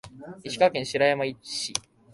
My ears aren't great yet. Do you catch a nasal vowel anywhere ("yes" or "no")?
yes